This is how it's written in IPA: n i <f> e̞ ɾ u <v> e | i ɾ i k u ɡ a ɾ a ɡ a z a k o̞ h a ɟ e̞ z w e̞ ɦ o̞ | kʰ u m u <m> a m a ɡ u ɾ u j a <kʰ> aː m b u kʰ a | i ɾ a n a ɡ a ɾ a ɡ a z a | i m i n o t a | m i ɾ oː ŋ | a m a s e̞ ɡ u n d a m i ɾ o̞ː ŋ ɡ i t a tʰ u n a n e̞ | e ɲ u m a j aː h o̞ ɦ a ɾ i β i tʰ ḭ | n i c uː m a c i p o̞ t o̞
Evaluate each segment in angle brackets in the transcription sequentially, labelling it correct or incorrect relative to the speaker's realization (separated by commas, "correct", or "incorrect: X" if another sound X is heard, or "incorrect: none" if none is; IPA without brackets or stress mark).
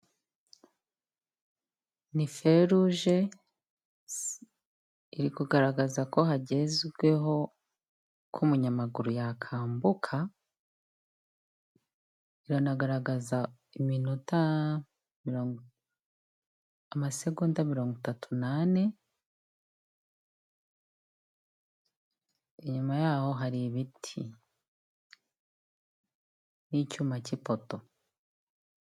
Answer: correct, incorrect: ʒ, incorrect: ɲ, correct